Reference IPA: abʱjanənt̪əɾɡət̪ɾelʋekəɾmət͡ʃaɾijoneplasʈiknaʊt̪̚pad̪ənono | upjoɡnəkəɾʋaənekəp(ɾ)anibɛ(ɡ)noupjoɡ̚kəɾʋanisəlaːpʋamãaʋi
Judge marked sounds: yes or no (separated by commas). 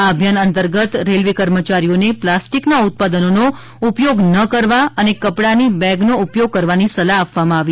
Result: no, yes